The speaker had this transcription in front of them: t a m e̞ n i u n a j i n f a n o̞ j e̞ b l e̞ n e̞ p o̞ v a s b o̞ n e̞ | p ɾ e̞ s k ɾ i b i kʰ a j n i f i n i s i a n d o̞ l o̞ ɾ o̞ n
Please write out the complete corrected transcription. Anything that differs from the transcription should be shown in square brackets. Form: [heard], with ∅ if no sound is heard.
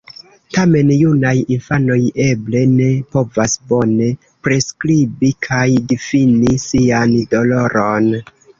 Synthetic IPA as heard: t a m e̞ n [j] u n a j i n f a n o̞ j e̞ b l e̞ n e̞ p o̞ v a s b o̞ n e̞ | p ɾ e̞ s k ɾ i b i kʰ a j [d] i f i n i s i a n d o̞ l o̞ ɾ o̞ n

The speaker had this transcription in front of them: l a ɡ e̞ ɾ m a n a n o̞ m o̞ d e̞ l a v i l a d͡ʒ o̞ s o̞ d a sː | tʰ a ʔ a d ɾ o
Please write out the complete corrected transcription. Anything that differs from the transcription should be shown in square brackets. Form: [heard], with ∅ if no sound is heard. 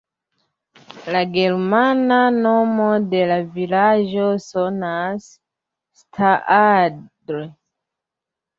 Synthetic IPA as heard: l a ɡ e̞ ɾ m a n a n o̞ m o̞ d e̞ l a v i l a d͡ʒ o̞ s o̞ [n] a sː | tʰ a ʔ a d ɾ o

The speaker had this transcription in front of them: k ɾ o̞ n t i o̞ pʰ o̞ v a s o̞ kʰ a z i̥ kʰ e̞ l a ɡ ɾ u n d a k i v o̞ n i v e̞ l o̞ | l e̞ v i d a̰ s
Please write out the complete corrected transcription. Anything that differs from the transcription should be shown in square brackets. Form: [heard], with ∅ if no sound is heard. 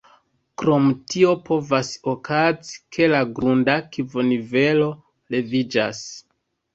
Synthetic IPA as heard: k ɾ o̞ [m] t i o̞ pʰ o̞ v a s o̞ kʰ a z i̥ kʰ e̞ l a ɡ ɾ u n d a k i v o̞ n i v e̞ l o̞ | l e̞ v i [d͡ʒ] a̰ s

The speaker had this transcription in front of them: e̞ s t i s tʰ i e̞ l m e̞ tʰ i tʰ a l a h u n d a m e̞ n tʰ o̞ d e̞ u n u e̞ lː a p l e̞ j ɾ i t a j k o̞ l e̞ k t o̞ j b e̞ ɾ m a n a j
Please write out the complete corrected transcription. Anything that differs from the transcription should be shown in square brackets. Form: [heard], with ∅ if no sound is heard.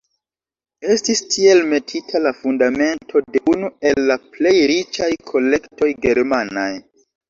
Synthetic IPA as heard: e̞ s t i s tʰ i e̞ l m e̞ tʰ i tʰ a l a [f] u n d a m e̞ n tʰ o̞ d e̞ u n u e̞ lː a p l e̞ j ɾ i [t͡ʃ] a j [kʰ] o̞ l e̞ k t o̞ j [ɡ] e̞ ɾ m a n a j

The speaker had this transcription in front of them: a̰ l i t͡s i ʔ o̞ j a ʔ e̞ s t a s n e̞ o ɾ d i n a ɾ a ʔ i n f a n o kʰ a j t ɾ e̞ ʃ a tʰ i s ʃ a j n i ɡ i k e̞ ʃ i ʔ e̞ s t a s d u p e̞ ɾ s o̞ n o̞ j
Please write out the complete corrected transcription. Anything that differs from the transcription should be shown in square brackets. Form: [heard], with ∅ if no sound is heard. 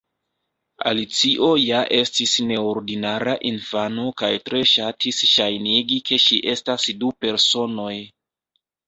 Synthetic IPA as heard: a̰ l i t͡s i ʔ o̞ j a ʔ e̞ s t [i] s n e̞ o ɾ d i n a ɾ a ʔ i n f a n o [k] a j t ɾ e̞ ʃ a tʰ i s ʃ a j n i ɡ i k e̞ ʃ i ʔ e̞ s t a s d u p e̞ ɾ s o̞ n o̞ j

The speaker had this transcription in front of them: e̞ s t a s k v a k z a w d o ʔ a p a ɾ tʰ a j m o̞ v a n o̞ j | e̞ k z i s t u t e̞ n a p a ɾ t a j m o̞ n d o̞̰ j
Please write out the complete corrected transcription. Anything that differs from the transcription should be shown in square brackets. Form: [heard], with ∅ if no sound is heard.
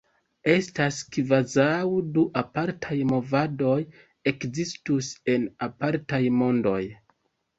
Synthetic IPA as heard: e̞ s t a s k v a [∅] z a w d [u] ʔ a p a ɾ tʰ a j m o̞ v a [d] o̞ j | e̞ k z i s t u [s] e̞ n a p a ɾ t a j m o̞ n d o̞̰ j

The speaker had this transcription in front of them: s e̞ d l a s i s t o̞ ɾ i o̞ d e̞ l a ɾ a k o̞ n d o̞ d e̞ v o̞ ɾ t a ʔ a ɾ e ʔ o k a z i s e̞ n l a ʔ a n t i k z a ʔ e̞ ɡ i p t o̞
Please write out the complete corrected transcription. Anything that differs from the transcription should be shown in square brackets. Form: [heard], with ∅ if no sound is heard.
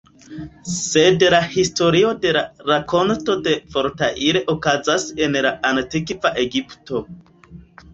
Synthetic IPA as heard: s e̞ d l a [h] i s t o̞ ɾ i o̞ d e̞ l a ɾ a k o̞ n [t] o̞ d e̞ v o̞ ɾ t a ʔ [i] ɾ e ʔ o k a z [a] s e̞ n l a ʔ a n t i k [v] a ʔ e̞ ɡ i p t o̞

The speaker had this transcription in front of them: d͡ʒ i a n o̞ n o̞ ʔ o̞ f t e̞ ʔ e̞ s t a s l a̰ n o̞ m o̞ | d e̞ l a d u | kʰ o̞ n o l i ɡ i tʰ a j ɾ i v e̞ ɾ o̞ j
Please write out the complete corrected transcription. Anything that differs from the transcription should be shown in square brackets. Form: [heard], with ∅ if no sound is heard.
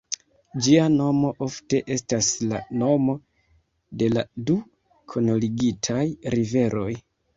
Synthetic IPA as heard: d͡ʒ i a n o̞ [m] o̞ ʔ o̞ f t e̞ ʔ e̞ s t a s l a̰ n o̞ m o̞ | d e̞ l a d u | kʰ o̞ n o l i ɡ i tʰ a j ɾ i v e̞ ɾ o̞ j

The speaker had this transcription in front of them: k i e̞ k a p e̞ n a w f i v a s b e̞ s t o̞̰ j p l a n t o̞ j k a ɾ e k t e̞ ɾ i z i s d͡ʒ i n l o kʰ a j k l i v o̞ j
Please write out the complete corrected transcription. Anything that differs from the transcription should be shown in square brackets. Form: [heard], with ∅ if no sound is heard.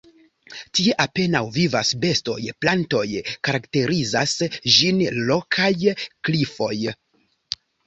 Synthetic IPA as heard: [t] i e̞ [ʔ] a p e̞ n a w [v] i v a s b e̞ s t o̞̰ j p l a n t o̞ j k a ɾ [a] k t e̞ ɾ i z [a] s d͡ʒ i n l o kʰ a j k l i [f] o̞ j

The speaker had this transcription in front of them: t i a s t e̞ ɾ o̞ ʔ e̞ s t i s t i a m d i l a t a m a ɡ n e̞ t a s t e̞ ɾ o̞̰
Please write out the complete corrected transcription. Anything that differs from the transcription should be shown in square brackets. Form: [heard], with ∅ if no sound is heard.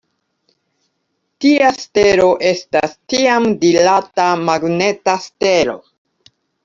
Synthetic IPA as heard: t i a s t e̞ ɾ o̞ ʔ e̞ s t [a] s t i a m d i l a t a m a ɡ n e̞ t a s t e̞ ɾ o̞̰

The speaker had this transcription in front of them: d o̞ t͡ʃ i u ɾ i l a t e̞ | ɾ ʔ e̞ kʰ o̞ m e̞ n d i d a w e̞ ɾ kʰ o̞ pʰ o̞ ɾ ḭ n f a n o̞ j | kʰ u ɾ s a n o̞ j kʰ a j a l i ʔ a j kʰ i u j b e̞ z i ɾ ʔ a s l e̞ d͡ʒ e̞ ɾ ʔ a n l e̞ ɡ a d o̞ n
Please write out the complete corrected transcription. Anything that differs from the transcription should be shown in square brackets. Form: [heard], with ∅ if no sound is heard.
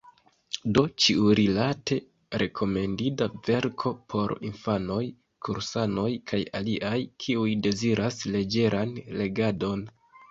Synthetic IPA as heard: d o̞ t͡ʃ i u ɾ i l a t e̞ | ɾ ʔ e̞ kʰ o̞ m e̞ n d i d a [v] e̞ ɾ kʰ o̞ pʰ o̞ ɾ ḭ n f a n o̞ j | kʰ u ɾ s a n o̞ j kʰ a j a l i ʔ a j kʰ i u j [d] e̞ z i ɾ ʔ a s l e̞ d͡ʒ e̞ ɾ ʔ a n l e̞ ɡ a d o̞ n

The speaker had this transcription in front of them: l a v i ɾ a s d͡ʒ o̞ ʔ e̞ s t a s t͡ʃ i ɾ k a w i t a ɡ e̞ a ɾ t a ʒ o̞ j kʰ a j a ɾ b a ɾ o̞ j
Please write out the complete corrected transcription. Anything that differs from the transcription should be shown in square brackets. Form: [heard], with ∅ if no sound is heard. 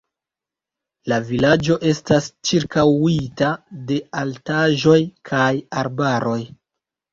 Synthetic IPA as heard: l a v i [l] a [∅] d͡ʒ o̞ ʔ e̞ s t a s t͡ʃ i ɾ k a w i t a [d] e̞ a [l] t a ʒ o̞ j kʰ a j a ɾ b a ɾ o̞ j

